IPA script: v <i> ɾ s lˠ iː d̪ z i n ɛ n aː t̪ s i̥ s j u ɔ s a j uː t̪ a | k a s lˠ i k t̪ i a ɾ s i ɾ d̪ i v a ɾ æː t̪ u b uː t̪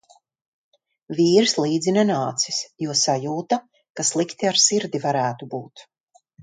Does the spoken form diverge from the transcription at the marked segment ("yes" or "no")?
yes